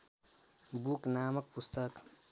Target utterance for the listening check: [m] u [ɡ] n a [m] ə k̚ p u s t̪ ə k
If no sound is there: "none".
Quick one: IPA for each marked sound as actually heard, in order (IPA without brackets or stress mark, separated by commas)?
b, k, m